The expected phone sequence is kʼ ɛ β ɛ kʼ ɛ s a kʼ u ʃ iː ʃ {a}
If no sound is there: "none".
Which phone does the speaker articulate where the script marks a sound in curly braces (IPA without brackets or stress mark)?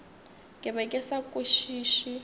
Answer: i